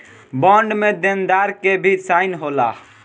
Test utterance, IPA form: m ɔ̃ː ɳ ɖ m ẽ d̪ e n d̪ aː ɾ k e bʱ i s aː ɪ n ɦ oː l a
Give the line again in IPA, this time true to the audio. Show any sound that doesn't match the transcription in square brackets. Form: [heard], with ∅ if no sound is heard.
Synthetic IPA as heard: [b] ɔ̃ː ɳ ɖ m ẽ d̪ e n d̪ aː ɾ k e bʱ i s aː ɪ n ɦ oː l a

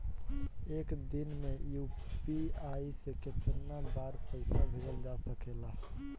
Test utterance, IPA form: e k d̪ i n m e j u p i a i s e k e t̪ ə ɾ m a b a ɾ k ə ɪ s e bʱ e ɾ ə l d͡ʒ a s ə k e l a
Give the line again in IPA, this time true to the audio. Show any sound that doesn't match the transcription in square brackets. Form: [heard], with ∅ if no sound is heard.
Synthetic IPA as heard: e k d̪ i n m e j u p i a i s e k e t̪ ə ɾ [n] a b a ɾ [p] ə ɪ s [a] bʱ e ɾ ə l d͡ʒ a s ə k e l a

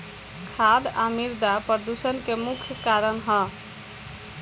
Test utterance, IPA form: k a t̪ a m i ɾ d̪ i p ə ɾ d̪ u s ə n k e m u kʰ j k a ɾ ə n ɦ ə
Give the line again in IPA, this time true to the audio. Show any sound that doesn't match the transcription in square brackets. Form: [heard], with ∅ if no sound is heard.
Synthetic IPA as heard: [kʰ] a [d̪] a m i ɾ d̪ [a] p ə ɾ d̪ u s ə n k e m u kʰ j k a ɾ ə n ɦ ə

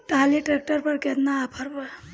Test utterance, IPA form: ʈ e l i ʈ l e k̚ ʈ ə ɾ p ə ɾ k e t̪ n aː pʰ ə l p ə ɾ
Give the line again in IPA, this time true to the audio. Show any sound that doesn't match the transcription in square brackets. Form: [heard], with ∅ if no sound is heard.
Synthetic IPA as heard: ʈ [a] l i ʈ [ɾ] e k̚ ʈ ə ɾ p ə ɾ k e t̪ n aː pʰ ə [ɾ] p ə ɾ

